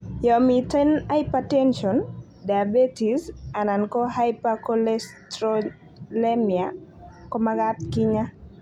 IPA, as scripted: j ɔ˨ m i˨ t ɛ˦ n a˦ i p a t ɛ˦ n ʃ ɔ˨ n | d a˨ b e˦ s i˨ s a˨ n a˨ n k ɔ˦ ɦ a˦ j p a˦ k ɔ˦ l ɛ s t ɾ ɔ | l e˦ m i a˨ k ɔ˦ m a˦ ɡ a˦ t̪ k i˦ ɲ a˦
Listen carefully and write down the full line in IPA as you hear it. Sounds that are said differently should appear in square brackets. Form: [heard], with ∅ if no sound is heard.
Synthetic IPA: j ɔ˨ m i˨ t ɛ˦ n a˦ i p a t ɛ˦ n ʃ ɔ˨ n | d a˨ b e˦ [t] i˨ s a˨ n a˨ n k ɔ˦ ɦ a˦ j p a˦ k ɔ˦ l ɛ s t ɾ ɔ | l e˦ m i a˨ k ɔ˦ m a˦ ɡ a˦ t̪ k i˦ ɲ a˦